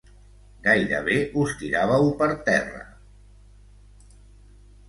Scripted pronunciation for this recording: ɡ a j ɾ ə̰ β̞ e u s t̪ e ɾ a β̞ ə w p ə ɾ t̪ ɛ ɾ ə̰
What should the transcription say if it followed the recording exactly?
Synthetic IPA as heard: ɡ a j ɾ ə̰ β̞ e u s t̪ i ɾ a β̞ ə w p ə ɾ t̪ ɛ r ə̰